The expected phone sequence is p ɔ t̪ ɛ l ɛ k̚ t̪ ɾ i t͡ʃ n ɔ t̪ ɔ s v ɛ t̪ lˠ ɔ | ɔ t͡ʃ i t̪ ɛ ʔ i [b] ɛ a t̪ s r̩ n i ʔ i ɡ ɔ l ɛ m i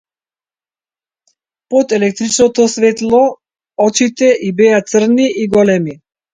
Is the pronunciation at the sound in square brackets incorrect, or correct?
correct